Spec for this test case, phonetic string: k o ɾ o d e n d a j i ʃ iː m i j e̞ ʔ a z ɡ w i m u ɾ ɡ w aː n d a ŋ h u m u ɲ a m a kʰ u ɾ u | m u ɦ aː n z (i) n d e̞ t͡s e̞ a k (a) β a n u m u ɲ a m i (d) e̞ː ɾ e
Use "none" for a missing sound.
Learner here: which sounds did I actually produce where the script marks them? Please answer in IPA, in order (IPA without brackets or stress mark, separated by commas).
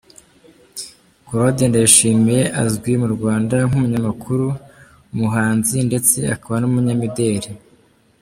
i, a, d